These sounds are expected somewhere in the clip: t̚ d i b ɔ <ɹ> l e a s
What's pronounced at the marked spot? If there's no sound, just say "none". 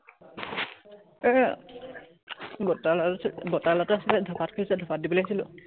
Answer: none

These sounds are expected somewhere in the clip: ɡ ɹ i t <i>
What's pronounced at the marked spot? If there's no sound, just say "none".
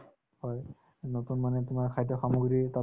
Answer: a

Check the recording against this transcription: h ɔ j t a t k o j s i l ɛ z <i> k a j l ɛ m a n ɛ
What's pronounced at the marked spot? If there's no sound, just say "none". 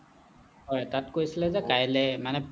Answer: ɛ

